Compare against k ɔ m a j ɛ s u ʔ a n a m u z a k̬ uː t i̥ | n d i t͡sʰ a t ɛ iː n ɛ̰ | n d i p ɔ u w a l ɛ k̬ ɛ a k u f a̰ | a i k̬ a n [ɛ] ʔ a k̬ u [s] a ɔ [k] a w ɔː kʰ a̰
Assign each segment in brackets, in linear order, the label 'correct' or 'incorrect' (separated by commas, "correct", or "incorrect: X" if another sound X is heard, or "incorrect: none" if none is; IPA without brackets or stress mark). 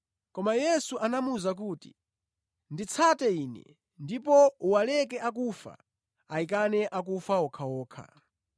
correct, incorrect: f, incorrect: kʰ